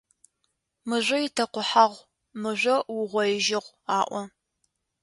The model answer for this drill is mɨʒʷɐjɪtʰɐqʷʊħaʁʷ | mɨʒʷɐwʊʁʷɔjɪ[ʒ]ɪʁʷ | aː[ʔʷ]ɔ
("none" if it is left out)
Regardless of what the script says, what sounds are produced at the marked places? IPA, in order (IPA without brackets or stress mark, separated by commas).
ʒ, ʔʷ